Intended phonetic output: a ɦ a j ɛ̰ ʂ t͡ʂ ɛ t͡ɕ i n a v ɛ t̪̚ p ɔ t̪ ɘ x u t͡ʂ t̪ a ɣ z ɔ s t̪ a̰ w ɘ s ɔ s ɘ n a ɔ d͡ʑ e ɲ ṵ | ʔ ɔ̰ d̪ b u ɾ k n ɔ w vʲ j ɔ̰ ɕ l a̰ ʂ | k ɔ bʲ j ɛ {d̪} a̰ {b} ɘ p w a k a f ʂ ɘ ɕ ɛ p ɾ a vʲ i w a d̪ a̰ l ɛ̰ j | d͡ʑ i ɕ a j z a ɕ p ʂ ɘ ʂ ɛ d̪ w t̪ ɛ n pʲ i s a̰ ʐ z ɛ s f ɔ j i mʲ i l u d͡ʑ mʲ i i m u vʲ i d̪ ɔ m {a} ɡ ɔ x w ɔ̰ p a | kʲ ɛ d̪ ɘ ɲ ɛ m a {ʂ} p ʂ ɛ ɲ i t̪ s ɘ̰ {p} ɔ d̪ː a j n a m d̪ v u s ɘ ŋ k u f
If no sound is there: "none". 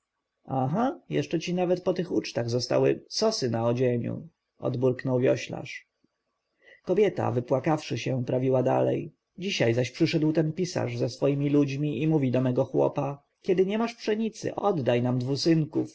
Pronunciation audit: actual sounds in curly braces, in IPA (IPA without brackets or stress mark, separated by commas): t̪, v, ɛ, ʂ, ʔ